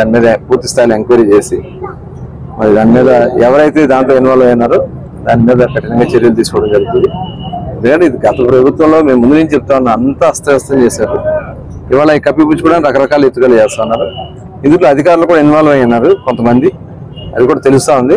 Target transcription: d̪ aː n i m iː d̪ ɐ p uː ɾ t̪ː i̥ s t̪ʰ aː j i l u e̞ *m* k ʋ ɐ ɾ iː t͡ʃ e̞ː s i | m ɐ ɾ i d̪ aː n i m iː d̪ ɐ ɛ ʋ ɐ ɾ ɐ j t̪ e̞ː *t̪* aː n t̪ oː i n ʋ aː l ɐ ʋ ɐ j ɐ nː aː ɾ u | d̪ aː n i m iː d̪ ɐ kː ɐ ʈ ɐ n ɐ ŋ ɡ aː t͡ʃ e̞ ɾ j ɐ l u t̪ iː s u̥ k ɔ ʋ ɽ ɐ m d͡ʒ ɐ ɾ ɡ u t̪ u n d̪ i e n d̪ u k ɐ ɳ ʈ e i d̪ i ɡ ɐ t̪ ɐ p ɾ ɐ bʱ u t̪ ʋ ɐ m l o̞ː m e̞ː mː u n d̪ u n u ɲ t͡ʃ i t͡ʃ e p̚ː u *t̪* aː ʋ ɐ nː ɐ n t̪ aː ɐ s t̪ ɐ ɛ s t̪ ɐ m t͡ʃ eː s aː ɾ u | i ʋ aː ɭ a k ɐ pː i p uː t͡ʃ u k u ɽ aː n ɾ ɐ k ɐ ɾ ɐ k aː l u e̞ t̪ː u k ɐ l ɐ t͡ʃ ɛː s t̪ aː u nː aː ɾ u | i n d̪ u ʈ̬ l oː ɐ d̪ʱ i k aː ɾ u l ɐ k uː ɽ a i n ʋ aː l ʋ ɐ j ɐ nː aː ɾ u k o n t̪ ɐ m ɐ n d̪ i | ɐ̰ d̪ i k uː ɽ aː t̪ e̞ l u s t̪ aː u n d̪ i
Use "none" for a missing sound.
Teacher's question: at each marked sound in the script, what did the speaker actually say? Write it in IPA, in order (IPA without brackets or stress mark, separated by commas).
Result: ŋ, d̪, t̪